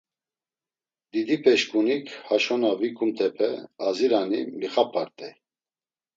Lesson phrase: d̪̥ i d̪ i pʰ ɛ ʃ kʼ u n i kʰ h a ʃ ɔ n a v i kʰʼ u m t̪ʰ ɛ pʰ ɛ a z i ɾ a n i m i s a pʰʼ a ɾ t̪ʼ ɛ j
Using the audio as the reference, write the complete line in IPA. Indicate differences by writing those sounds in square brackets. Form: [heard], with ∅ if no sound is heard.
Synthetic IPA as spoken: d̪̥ i d̪ i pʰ ɛ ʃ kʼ u n i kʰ h a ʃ ɔ n a v i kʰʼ u m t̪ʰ ɛ pʰ ɛ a z i ɾ a n i m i [χ] a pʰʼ a ɾ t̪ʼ ɛ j